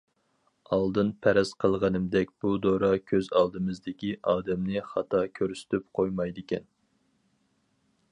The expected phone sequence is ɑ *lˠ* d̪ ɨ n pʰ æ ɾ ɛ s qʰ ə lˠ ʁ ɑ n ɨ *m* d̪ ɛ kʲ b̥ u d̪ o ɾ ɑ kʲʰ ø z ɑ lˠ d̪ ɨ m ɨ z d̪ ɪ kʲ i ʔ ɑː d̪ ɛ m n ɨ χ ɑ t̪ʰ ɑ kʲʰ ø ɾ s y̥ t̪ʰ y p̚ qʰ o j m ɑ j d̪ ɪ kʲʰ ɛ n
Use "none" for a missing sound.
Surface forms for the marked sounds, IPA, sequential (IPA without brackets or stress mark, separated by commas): lˠ, m